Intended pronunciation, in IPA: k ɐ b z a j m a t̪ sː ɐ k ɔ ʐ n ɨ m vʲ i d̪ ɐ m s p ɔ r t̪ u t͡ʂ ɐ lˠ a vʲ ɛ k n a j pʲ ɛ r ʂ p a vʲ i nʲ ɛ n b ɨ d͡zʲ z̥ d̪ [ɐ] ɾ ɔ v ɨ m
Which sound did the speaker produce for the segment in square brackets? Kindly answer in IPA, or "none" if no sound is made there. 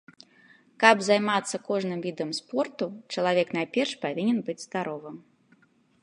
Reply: a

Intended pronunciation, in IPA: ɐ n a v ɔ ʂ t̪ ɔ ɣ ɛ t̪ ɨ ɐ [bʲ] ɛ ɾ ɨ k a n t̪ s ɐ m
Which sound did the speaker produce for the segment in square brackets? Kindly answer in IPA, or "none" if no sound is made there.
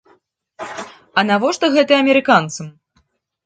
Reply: mʲ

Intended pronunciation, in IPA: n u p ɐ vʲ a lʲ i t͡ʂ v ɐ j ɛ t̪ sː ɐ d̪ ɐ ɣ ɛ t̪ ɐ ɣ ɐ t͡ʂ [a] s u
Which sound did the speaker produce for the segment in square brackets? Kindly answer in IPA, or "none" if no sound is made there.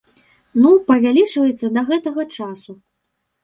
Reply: a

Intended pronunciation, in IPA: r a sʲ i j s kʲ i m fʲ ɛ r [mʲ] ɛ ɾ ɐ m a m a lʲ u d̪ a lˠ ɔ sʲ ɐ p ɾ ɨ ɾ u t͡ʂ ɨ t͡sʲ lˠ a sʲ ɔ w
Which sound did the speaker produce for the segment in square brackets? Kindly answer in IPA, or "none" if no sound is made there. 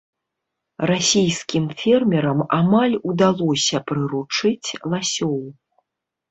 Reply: mʲ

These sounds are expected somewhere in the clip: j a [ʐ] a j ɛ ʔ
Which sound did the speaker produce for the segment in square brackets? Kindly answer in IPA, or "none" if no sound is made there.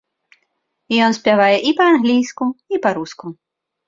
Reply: v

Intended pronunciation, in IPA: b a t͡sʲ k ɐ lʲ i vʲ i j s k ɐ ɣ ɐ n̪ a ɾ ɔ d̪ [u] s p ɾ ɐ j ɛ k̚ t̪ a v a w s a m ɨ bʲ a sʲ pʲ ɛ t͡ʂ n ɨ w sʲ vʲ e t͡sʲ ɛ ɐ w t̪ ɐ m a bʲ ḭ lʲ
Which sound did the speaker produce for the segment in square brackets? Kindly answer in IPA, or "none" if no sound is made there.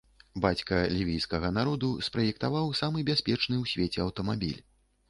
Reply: u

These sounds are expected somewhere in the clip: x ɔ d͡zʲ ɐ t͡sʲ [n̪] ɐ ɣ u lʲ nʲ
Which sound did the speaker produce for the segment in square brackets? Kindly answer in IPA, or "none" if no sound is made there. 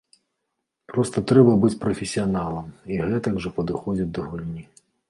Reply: d̪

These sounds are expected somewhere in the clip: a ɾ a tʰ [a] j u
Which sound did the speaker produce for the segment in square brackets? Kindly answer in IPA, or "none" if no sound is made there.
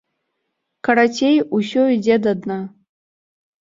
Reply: e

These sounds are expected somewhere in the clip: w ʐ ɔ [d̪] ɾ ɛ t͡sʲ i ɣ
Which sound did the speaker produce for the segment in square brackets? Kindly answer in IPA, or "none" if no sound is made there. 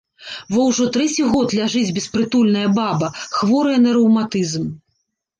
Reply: t̪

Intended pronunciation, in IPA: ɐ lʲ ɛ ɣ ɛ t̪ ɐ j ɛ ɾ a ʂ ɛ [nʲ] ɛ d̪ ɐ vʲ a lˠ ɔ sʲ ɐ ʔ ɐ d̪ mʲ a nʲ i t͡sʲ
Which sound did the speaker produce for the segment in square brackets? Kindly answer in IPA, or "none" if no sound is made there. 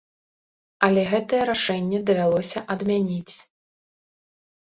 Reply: nʲː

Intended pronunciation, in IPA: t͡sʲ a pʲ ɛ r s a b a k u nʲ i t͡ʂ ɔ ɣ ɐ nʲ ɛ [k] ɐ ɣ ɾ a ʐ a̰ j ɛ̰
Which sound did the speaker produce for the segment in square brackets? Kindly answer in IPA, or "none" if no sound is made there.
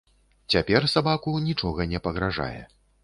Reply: p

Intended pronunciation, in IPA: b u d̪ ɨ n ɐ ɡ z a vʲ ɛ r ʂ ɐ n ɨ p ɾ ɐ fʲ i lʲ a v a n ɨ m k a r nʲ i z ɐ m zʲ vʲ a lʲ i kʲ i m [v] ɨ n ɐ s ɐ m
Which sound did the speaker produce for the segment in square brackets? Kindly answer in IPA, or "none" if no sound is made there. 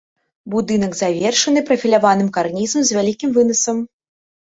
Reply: v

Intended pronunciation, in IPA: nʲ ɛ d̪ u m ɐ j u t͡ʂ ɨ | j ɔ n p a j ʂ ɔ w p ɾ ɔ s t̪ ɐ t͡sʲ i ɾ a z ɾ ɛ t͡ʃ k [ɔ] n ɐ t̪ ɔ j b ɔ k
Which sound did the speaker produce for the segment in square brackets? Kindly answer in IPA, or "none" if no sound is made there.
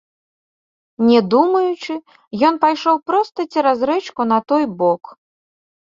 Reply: u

